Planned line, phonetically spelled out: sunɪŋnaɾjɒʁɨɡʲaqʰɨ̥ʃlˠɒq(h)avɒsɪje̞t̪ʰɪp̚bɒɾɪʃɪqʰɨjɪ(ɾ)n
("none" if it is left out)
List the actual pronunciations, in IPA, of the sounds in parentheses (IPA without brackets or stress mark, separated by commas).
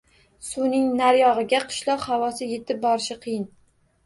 h, none